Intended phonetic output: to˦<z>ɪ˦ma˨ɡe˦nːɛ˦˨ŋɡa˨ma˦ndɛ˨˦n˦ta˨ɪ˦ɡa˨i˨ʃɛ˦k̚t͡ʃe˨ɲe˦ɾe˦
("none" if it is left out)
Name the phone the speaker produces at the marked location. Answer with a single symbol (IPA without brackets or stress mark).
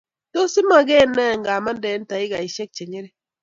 s